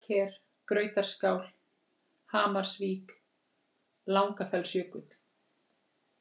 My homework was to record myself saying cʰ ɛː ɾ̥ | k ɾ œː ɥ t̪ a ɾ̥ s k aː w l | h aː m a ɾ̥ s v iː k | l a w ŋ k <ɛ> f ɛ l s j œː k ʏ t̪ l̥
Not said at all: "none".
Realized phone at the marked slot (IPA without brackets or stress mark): a